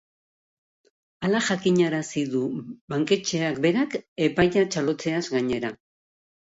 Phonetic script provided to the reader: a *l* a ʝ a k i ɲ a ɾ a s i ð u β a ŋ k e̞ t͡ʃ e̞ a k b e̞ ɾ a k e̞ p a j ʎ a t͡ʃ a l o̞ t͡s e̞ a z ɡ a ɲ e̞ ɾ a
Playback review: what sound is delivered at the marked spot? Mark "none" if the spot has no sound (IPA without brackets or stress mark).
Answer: l